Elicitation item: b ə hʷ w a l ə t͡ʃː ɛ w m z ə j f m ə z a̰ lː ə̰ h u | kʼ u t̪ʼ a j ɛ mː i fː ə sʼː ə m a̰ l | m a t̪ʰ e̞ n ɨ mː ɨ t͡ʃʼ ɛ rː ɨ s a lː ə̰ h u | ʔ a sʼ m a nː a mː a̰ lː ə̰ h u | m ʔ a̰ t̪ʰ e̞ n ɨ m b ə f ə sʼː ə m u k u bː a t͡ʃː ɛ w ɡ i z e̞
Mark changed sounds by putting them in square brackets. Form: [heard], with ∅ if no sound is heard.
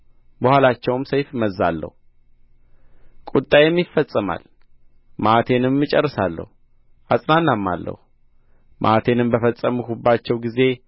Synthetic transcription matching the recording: b ə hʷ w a l [a] t͡ʃː ɛ w m [s] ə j f m ə z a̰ lː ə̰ h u | kʼ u t̪ʼ a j ɛ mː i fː ə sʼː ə m a̰ l | m a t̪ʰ e̞ n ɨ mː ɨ t͡ʃʼ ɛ rː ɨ s a lː ə̰ h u | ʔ a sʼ [n] a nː a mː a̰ lː ə̰ h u | m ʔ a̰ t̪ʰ e̞ n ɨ m b ə f ə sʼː ə m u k u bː a t͡ʃː ɛ w ɡ i z e̞